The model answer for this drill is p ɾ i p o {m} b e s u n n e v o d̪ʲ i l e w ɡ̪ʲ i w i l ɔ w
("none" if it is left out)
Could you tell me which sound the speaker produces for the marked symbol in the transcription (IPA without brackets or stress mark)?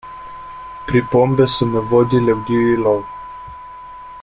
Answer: m